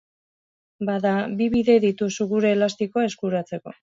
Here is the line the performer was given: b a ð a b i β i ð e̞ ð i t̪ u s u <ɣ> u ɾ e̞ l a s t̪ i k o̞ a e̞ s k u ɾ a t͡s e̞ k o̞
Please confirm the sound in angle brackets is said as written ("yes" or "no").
yes